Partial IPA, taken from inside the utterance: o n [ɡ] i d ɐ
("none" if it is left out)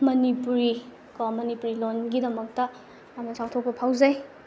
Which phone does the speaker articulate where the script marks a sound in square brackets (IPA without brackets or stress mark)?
ɡ